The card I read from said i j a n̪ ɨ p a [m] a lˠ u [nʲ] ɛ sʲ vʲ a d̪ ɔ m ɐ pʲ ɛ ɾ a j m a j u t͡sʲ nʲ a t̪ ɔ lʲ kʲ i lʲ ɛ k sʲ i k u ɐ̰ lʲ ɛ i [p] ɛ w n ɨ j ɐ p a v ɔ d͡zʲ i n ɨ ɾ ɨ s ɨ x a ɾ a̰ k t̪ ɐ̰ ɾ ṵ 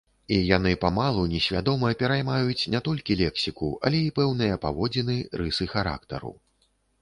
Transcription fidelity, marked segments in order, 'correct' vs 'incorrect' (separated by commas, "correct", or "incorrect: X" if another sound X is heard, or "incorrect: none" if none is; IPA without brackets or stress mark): correct, correct, correct